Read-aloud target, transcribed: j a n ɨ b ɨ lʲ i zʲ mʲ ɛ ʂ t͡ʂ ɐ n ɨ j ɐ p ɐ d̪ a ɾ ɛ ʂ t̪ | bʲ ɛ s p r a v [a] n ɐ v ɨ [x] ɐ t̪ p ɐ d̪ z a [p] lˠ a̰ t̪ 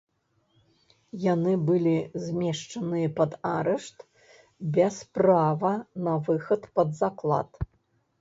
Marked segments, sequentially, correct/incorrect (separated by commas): incorrect, correct, incorrect